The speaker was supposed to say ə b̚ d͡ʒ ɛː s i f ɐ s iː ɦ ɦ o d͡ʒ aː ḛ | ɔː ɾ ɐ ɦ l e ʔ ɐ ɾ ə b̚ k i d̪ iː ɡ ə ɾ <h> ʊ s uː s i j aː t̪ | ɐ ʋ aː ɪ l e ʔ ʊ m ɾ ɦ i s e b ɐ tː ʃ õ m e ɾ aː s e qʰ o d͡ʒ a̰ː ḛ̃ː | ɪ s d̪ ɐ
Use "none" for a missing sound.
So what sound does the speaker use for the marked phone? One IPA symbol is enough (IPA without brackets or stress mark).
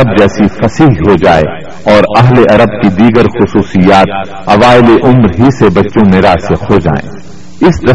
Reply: x